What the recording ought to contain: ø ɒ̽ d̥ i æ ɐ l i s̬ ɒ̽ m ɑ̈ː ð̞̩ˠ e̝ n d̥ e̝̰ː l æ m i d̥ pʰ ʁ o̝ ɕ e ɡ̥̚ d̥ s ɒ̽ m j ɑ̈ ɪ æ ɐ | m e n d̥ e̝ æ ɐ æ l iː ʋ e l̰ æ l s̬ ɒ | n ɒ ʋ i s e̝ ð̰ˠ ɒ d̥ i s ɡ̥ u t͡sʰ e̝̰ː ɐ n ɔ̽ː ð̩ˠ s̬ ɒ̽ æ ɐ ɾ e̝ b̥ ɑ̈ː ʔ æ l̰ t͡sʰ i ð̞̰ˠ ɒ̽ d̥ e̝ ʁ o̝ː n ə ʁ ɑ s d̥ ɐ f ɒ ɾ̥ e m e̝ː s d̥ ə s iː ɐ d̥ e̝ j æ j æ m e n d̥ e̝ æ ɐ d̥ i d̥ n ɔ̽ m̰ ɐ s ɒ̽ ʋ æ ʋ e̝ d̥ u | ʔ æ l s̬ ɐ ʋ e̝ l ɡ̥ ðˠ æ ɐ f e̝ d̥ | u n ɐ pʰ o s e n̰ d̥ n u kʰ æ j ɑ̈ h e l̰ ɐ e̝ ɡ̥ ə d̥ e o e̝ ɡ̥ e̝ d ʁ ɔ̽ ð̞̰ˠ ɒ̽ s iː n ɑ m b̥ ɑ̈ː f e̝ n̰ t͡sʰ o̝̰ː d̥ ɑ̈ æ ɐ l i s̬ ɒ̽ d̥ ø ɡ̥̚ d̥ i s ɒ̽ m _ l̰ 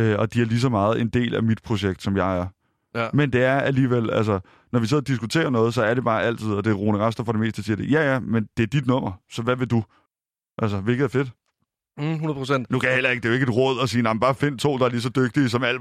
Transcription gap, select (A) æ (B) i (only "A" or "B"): A